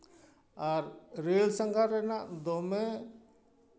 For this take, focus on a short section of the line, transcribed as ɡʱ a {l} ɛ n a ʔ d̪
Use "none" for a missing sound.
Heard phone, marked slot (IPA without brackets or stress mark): ɾ